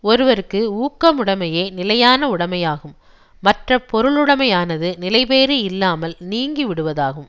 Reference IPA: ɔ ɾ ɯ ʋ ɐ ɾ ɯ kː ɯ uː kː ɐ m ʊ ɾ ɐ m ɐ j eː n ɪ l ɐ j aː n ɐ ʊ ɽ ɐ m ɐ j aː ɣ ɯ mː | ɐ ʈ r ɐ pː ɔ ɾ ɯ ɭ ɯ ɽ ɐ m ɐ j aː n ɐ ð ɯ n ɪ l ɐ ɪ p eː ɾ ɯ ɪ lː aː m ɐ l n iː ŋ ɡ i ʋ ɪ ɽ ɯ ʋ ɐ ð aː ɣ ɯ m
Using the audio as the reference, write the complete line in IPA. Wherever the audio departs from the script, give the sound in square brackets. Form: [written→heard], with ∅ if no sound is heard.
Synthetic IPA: ɔ ɾ ɯ ʋ ɐ ɾ ɯ kː ɯ uː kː ɐ m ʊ [ɾ→ɽ] ɐ m ɐ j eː n ɪ l ɐ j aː n ɐ ʊ ɽ ɐ m ɐ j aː ɣ ɯ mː | ɐ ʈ r ɐ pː ɔ ɾ ɯ ɭ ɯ ɽ ɐ m ɐ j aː n ɐ ð ɯ n ɪ l ɐ ɪ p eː ɾ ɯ ɪ lː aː m ɐ l n iː ŋ ɡ i ʋ ɪ ɽ ɯ ʋ ɐ ð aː ɣ ɯ m